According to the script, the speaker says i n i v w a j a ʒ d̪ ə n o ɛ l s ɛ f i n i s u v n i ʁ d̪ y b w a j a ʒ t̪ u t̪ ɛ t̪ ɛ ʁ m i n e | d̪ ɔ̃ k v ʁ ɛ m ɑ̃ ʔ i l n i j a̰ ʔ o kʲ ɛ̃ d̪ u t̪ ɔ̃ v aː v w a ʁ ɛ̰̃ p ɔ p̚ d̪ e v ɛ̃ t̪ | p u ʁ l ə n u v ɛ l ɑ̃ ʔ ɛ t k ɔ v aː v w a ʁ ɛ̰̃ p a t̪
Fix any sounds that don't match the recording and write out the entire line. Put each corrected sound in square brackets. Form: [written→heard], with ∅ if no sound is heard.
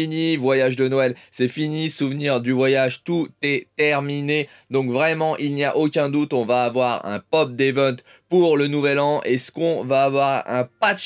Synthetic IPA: i n i v w a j a ʒ d̪ ə n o ɛ l s ɛ f i n i s u v n i ʁ d̪ y [b→v] w a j a ʒ t̪ u t̪ ɛ t̪ ɛ ʁ m i n e | d̪ ɔ̃ k v ʁ ɛ m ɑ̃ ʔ i l n i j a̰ ʔ o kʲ ɛ̃ d̪ u t̪ ɔ̃ v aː v w a ʁ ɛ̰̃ p ɔ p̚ d̪ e v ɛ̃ t̪ | p u ʁ l ə n u v ɛ l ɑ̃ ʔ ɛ [t→s] k [ɔ→ɔ̃] v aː v w a ʁ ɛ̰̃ p a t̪